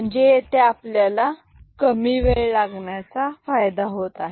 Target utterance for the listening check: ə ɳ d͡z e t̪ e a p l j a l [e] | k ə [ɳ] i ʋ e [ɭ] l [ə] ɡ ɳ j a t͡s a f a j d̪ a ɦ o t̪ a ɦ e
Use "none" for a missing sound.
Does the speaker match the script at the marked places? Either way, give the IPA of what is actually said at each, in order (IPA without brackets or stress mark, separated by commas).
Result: a, m, ɭ, a